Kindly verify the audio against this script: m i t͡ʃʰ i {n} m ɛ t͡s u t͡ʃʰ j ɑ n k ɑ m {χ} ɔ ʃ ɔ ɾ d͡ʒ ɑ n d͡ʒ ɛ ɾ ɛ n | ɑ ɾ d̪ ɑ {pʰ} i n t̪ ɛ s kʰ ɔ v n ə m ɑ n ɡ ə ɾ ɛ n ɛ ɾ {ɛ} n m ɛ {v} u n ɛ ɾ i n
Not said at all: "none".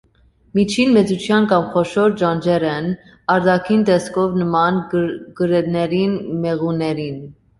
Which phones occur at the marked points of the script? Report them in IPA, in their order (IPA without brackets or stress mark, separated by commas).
n, χ, kʰ, i, ʁ